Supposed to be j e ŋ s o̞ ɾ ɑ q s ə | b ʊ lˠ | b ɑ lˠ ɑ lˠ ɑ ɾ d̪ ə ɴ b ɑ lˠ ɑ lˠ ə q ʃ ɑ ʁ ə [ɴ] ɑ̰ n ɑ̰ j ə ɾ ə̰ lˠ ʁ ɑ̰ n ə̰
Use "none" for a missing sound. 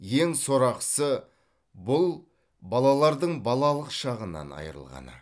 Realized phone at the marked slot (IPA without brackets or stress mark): n